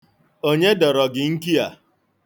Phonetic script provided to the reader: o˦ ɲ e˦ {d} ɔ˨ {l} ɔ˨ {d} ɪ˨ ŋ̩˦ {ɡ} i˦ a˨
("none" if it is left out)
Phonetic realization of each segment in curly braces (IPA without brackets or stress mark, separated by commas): d, ɾ, ɡ, k